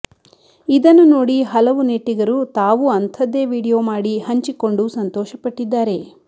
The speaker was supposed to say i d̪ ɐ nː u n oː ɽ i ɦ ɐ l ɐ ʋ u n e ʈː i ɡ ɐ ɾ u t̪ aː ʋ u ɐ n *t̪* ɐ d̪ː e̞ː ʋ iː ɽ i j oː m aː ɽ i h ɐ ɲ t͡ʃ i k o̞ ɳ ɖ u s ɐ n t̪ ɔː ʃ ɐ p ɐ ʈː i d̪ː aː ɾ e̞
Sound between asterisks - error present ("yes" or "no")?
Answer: yes